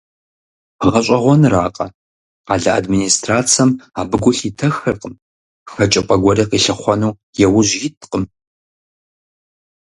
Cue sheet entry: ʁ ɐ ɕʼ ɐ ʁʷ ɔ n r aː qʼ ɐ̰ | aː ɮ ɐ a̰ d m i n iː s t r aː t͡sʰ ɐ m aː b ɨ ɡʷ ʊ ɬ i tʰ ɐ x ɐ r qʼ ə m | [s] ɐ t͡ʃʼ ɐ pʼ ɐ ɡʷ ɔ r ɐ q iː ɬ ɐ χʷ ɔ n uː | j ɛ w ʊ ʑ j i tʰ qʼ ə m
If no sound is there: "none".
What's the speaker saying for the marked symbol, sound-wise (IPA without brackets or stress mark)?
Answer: x